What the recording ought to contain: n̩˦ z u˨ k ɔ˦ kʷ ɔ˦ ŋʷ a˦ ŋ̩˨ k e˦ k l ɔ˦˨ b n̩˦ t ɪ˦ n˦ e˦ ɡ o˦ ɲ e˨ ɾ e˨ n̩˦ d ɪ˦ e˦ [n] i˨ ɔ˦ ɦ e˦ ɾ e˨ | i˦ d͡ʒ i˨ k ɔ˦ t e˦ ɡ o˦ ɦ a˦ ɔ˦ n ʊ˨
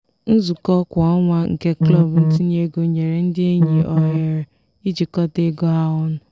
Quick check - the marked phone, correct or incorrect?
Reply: incorrect